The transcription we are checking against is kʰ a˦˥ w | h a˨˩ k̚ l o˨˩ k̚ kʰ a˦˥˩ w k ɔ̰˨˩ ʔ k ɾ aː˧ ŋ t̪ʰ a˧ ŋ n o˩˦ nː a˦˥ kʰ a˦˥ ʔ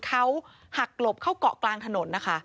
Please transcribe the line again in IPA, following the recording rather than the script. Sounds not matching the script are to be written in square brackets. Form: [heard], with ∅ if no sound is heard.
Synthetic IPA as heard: kʰ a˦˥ w | h a˨˩ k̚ l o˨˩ [p̚] kʰ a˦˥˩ w k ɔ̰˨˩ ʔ k [l] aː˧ ŋ t̪ʰ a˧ [∅] n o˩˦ nː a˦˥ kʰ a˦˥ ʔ